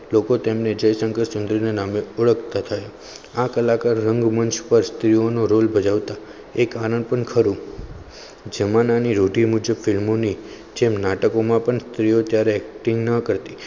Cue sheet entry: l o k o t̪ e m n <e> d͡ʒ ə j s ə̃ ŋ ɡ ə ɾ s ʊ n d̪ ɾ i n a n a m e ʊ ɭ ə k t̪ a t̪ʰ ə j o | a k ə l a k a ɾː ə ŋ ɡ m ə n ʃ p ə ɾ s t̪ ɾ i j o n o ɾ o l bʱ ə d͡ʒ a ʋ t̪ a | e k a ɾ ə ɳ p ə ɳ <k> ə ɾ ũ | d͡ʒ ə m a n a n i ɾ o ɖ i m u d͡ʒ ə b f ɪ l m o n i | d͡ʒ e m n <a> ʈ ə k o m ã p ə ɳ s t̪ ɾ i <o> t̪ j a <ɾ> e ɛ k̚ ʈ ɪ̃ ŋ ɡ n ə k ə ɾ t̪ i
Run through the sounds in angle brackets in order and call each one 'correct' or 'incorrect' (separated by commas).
correct, incorrect, correct, correct, correct